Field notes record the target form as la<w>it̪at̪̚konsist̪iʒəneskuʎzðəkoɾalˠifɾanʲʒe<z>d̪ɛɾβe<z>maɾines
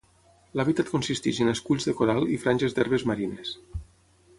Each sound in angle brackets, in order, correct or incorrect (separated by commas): incorrect, correct, correct